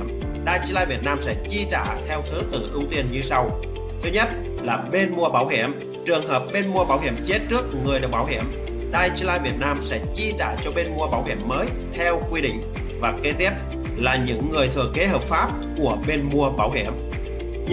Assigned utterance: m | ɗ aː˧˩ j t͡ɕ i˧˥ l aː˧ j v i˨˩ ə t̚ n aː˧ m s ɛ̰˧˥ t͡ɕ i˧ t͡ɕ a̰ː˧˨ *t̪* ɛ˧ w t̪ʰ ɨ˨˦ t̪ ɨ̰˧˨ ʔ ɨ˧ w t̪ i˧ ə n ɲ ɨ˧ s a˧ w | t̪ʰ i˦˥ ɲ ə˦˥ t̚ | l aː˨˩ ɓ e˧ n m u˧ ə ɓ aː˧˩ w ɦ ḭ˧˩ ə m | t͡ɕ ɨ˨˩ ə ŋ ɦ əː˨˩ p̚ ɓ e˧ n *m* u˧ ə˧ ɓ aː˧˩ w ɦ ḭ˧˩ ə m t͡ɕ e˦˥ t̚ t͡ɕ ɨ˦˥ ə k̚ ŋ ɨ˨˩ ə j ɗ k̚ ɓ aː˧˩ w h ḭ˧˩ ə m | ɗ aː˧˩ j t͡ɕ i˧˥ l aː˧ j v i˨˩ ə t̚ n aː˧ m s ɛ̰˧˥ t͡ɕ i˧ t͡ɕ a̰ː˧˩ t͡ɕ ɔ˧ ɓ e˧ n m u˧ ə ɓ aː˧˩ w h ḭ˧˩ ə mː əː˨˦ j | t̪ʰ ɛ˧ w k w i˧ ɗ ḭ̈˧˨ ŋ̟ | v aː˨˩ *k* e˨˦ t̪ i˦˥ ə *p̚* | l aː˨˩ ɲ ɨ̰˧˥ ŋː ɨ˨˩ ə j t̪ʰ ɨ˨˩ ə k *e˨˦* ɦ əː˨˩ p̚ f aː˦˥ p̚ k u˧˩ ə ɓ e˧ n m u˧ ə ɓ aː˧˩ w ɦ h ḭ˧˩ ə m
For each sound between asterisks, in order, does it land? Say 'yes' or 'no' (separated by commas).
no, yes, yes, yes, yes